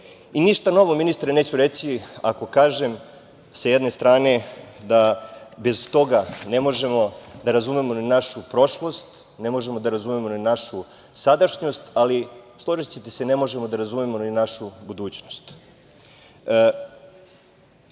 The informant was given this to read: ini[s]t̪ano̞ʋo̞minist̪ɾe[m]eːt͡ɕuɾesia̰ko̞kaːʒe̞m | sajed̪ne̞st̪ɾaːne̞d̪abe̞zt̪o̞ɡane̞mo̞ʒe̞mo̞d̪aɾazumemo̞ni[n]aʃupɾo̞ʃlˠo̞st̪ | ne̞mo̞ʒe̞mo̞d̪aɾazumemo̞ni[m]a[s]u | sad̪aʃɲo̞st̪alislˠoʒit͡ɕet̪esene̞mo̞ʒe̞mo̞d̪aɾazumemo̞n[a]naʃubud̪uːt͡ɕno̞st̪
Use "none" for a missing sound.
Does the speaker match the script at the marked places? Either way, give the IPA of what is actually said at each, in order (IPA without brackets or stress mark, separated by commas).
ʃ, n, n, n, ʃ, i